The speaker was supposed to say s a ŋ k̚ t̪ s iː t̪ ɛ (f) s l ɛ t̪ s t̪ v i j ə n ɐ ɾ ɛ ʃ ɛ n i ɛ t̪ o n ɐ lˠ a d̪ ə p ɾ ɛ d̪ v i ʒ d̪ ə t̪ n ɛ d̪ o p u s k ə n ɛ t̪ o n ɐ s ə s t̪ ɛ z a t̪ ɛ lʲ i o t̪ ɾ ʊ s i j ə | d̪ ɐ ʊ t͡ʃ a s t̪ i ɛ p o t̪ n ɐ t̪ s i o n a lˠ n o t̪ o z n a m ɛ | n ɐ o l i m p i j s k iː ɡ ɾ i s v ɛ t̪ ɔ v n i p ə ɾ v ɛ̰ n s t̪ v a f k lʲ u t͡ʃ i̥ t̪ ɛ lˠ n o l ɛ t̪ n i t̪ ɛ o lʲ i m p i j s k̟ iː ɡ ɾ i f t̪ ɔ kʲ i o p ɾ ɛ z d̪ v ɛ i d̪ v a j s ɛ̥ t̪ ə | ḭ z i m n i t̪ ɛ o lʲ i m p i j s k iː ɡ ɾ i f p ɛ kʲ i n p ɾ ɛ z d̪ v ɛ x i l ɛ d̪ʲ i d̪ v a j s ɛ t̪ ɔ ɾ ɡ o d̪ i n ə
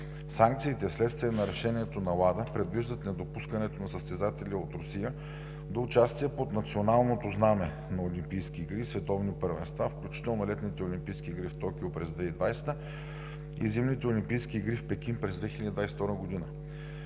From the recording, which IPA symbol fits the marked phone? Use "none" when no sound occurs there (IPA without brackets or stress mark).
f